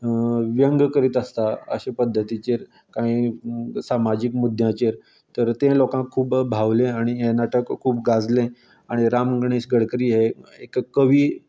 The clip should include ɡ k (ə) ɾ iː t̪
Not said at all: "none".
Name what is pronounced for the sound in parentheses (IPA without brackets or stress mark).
ə